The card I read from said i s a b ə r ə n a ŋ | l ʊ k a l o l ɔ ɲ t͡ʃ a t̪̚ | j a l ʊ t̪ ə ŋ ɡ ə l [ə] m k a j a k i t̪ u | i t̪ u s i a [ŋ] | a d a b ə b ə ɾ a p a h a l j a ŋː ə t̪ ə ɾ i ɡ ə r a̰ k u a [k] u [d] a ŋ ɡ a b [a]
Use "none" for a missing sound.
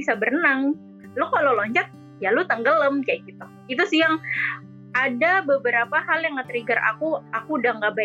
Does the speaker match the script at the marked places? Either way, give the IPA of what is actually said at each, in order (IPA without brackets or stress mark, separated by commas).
ə, ŋ, k, d, a